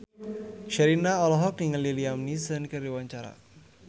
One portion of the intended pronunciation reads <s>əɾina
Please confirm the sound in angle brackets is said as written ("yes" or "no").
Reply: no